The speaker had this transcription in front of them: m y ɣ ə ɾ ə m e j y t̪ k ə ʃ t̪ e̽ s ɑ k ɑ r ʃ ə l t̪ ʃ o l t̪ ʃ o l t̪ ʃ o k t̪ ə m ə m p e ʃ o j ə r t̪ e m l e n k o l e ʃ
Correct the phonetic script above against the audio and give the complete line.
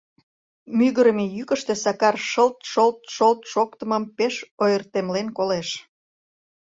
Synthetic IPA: m y ɣ ə ɾ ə m e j y k ə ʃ t̪ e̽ s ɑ k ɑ r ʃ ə l t̪ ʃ o l t̪ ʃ o l t̪ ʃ o k t̪ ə m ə m p e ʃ o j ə r t̪ e m l e n k o l e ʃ